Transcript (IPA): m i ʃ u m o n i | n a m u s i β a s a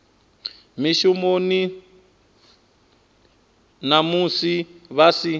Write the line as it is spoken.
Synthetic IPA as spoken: m i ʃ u m o n i | n a m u s i β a s i